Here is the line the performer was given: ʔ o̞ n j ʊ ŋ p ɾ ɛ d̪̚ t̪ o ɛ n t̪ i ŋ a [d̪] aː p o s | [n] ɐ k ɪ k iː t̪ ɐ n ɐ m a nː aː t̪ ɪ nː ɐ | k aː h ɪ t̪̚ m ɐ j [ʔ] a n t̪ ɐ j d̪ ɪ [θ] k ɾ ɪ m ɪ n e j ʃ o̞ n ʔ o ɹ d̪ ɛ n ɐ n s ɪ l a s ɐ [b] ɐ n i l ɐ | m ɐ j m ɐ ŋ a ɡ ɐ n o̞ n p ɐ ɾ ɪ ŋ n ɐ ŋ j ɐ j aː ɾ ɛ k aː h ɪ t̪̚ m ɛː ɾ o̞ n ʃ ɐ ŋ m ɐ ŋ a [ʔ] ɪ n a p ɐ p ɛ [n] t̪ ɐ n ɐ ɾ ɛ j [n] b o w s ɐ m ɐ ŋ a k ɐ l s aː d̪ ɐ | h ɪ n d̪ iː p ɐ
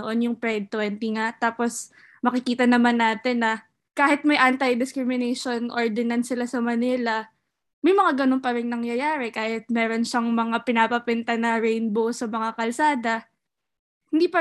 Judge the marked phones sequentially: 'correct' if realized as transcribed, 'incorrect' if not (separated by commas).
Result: incorrect, incorrect, correct, incorrect, incorrect, incorrect, correct, correct